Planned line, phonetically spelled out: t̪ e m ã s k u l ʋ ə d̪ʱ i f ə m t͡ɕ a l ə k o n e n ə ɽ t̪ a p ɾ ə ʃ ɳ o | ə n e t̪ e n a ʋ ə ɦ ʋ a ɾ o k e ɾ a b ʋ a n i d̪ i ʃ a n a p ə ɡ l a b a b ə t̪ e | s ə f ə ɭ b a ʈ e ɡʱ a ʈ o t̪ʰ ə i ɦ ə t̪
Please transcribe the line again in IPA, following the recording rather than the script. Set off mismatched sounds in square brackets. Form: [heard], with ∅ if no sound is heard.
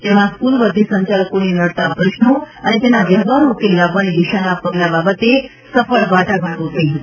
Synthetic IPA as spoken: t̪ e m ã s k u l ʋ ə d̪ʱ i [s] ə [ɲ] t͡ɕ a l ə k o n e n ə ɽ t̪ a p ɾ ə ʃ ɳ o | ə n e t̪ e n a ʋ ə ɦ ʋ a ɾ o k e [l] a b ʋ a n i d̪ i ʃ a n a p ə ɡ l a b a b ə t̪ e | s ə f ə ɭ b a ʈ [a] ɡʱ a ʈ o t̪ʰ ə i ɦ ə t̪